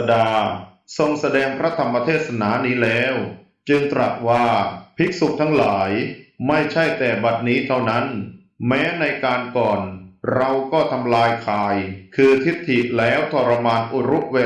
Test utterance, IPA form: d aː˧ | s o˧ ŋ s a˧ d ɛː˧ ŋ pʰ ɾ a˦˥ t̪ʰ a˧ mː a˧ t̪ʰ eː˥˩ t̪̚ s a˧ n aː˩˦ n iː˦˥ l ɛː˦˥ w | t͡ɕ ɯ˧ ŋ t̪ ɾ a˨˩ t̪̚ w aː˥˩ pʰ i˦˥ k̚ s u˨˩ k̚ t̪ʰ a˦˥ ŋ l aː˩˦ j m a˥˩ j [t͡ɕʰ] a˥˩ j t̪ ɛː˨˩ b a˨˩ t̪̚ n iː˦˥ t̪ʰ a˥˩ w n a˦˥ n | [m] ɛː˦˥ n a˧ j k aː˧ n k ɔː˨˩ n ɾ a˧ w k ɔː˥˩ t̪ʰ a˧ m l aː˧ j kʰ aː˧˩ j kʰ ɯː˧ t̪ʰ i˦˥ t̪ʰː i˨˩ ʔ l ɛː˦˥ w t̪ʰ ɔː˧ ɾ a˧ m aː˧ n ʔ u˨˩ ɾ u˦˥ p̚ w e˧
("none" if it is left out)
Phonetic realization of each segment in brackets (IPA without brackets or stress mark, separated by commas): t͡ɕʰ, m